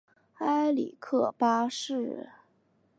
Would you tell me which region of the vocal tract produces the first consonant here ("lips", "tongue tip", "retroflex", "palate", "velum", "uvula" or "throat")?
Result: tongue tip